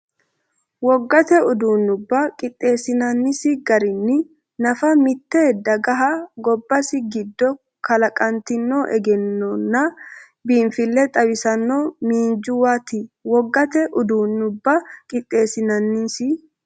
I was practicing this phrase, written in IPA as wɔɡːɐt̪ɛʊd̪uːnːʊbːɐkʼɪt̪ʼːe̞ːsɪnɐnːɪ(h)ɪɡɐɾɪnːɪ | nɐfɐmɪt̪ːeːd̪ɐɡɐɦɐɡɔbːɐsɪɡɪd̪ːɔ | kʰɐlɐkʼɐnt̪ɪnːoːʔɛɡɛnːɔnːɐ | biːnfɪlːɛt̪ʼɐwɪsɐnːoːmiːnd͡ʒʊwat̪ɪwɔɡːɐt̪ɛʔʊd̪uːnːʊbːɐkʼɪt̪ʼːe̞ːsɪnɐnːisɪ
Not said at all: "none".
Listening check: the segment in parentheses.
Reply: s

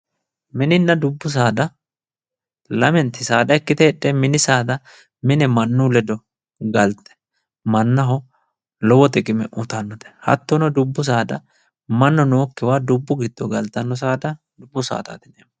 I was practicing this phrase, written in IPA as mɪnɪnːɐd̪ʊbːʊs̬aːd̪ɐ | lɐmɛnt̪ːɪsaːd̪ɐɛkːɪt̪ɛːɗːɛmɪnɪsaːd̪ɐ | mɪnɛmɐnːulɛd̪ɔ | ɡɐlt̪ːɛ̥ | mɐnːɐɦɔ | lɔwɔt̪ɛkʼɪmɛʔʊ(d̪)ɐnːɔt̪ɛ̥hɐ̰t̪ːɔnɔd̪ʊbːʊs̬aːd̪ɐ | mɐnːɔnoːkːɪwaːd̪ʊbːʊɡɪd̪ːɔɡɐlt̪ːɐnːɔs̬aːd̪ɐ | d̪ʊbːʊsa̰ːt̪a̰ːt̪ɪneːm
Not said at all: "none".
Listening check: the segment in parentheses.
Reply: t̪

